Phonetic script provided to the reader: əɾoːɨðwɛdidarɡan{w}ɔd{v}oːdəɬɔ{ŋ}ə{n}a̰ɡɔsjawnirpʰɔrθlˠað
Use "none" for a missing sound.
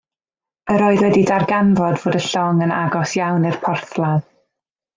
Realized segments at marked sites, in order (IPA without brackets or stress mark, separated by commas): v, v, ŋ, n